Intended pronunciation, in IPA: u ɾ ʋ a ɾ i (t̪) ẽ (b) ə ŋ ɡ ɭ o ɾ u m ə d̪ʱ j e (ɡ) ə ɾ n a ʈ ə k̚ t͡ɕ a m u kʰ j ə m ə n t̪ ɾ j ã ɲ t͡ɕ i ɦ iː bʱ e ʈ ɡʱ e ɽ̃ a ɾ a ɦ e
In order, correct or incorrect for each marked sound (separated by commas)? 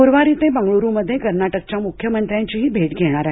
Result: correct, correct, incorrect